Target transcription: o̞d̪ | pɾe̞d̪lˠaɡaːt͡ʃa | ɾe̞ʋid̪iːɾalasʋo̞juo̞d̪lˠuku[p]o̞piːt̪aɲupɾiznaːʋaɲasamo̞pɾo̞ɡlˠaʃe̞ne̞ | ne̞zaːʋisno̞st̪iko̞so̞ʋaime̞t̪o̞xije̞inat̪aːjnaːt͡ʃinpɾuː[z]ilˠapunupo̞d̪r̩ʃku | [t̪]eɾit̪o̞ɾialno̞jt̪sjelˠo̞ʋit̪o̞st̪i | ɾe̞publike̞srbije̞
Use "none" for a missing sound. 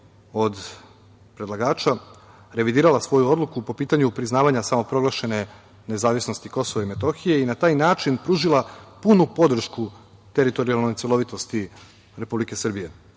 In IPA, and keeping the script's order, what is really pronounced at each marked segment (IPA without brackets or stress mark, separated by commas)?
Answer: p, ʒ, t̪